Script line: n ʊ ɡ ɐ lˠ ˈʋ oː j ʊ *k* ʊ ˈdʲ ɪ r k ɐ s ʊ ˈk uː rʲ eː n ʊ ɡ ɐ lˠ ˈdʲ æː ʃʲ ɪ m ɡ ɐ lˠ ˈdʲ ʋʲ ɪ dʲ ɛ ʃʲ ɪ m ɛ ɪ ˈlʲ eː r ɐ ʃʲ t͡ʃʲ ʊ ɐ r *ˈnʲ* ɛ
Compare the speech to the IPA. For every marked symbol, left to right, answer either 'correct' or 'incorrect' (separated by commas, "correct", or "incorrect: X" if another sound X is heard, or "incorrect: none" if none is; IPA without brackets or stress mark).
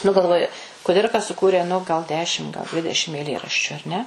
correct, correct